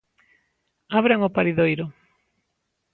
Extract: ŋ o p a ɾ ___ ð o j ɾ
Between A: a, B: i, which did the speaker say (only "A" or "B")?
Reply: B